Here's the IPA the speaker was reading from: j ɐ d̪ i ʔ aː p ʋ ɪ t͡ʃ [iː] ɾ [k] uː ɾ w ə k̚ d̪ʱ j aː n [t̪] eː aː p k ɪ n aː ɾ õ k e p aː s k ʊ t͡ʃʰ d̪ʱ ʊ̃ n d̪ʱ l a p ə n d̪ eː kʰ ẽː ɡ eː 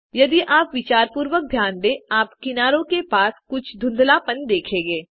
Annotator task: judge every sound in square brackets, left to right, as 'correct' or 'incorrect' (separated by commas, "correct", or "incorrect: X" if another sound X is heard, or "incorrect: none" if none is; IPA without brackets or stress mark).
incorrect: aː, incorrect: p, incorrect: d̪